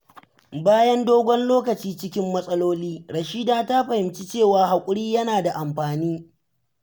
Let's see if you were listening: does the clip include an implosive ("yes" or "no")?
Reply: no